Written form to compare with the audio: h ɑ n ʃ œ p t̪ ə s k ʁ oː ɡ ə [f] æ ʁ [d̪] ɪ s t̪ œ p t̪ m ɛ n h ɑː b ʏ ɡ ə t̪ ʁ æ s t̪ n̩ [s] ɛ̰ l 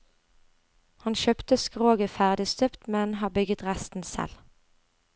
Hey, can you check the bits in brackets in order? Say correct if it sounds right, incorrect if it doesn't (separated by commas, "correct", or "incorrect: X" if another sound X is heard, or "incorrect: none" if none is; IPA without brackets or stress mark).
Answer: correct, correct, correct